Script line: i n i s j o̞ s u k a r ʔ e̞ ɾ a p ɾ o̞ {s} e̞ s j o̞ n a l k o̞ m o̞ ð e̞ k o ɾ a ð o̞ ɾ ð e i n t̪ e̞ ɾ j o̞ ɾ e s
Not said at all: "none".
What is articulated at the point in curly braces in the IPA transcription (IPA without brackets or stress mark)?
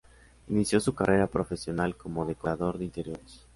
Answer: f